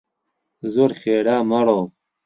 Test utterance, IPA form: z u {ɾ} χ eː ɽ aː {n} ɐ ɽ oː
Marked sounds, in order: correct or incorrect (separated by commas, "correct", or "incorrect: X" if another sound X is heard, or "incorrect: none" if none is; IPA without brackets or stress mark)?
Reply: correct, incorrect: m